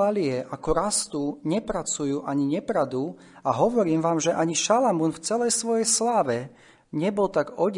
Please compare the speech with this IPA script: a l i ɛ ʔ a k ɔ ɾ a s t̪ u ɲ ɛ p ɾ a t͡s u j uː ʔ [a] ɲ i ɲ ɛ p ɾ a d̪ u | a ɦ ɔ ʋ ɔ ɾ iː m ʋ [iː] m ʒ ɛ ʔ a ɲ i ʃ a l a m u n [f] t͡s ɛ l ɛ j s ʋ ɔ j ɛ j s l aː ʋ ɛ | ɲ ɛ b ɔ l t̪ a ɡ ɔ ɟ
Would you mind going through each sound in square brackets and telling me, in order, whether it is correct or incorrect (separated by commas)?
correct, incorrect, correct